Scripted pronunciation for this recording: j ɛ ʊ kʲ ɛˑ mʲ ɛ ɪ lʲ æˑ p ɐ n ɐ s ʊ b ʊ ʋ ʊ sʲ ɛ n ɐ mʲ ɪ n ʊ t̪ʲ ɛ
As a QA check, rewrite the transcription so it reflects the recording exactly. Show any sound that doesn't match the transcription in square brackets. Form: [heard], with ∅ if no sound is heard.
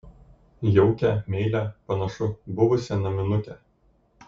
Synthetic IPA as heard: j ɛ ʊ kʲ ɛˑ mʲ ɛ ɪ lʲ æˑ p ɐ n ɐ [ʃ] ʊ b ʊ ʋ ʊ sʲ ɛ n ɐ mʲ ɪ n ʊ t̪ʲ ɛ